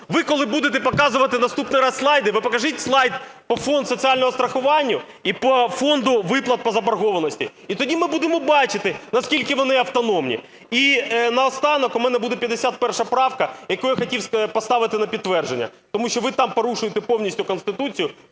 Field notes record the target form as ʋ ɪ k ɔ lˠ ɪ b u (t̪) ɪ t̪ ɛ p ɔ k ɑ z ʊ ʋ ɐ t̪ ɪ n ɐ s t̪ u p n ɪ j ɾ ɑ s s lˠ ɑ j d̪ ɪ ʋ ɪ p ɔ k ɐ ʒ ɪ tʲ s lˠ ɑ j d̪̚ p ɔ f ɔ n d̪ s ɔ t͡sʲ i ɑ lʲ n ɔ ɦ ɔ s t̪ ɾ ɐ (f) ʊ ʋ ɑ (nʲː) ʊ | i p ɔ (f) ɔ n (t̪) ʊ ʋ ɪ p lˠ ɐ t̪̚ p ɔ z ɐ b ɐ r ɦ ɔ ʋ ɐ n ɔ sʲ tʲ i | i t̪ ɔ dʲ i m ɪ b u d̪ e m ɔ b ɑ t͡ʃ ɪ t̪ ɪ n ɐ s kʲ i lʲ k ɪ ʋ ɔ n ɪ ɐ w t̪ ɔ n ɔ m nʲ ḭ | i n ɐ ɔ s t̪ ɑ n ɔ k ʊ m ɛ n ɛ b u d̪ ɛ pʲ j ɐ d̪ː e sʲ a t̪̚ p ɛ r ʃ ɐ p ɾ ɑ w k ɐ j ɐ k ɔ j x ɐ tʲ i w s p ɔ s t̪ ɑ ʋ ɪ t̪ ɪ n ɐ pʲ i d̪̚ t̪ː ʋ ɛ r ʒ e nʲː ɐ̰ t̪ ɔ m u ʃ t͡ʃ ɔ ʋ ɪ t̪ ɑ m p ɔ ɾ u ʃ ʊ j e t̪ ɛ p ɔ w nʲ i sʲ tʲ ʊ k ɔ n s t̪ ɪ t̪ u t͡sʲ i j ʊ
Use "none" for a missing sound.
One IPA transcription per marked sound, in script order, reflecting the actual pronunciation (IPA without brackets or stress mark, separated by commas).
d̪, x, nʲː, f, d̪